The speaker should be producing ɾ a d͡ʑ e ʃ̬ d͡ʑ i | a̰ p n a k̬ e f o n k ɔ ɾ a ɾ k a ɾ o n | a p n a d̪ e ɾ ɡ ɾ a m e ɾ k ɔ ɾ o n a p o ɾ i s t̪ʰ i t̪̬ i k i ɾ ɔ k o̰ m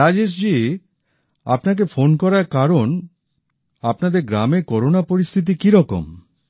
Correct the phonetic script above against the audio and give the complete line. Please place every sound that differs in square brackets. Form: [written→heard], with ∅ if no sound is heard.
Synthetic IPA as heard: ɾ a d͡ʑ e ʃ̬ d͡ʑ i | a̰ p n a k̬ e f o n k ɔ ɾ a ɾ k a ɾ o n | a p n a d̪ e ɾ ɡ ɾ a m e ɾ k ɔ ɾ o n a p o ɾ i s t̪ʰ i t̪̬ i k i ɾ ɔ k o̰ m